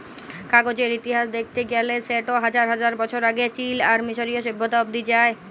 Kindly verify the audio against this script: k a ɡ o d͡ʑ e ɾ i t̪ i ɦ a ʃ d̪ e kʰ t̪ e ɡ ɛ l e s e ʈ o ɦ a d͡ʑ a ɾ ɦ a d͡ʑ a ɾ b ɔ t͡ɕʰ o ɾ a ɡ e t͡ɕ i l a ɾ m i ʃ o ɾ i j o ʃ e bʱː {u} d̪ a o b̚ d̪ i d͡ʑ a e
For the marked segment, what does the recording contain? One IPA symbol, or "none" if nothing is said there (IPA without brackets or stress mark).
o